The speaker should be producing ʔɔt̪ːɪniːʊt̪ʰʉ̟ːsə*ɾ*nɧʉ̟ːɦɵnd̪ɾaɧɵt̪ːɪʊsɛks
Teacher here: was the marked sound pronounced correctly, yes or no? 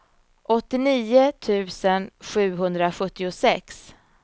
no